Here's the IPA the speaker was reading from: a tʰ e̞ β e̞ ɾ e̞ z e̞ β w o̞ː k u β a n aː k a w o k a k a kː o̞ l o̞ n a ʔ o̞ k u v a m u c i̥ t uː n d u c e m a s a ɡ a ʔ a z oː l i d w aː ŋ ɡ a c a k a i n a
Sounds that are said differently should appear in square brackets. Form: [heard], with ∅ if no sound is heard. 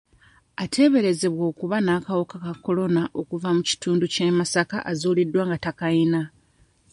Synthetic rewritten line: a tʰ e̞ β e̞ ɾ e̞ z e̞ β w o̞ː k u β a n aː k a w o k a k a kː o̞ l o̞ n a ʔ o̞ k u v a m u c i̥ t uː n d u c e m a s a [k] a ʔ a z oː l i d w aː ŋ ɡ a [t] a k a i n a